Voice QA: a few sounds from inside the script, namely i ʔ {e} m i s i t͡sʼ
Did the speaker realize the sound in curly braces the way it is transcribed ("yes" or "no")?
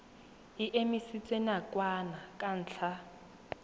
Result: yes